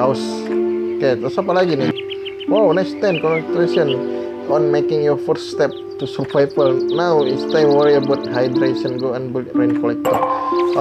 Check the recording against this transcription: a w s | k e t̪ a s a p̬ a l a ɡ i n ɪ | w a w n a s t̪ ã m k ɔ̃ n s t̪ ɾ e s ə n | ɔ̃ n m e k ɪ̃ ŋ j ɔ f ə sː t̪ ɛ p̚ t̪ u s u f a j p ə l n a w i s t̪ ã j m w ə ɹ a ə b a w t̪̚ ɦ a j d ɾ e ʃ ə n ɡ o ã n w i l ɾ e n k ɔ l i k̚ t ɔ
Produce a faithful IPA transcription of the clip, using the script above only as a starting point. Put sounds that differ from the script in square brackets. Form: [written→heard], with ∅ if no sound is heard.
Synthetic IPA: a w s | k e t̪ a s a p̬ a l a ɡ i n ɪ | w a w n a s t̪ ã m k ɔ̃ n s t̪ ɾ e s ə n | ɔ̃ n m e k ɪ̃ ŋ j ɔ f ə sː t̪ ɛ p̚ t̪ u s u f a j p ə l n a w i s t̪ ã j m w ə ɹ [a→i] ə b a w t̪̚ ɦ a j d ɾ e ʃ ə n ɡ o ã n [w→b] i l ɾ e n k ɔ l [i→ɛ] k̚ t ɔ